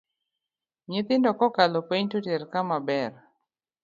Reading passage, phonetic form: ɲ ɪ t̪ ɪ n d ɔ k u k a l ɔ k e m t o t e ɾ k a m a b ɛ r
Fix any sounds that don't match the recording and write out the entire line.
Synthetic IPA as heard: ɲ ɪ t̪ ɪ n d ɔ k ɔ k a l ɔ p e ɲ t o t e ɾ k a m a b ɛ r